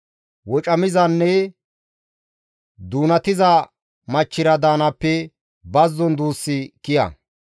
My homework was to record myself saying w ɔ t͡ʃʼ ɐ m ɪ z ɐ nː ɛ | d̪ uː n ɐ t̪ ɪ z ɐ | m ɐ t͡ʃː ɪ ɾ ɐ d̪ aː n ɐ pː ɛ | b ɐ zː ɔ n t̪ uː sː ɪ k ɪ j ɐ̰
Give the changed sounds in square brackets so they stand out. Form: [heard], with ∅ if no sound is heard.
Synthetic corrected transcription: w ɔ t͡ʃʼ ɐ m ɪ z ɐ nː ɛ | d̪ uː n ɐ t̪ ɪ z ɐ | m ɐ t͡ʃː ɪ ɾ ɐ d̪ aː n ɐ pː ɛ | b ɐ zː ɔ n [d̪] uː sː ɪ k ɪ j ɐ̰